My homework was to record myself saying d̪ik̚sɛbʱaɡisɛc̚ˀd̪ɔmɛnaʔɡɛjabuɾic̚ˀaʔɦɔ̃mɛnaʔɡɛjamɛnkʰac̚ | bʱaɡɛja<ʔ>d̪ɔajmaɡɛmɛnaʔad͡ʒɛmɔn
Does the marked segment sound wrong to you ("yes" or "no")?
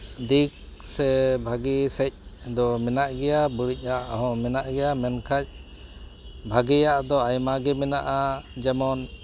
no